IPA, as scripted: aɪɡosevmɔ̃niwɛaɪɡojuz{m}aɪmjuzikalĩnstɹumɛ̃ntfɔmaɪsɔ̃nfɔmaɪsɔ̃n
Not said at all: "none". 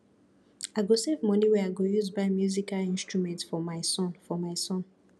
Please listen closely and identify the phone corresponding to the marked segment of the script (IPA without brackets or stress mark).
b